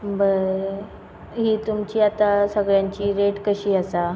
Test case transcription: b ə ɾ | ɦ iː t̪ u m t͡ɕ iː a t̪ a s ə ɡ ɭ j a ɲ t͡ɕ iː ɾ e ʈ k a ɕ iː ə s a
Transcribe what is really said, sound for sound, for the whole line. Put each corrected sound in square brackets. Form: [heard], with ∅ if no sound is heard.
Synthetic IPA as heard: b ə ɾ | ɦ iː t̪ u m t͡ɕ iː a t̪ a s ə ɡ ɭ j a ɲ t͡ɕ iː ɾ e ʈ k [ə] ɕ iː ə s a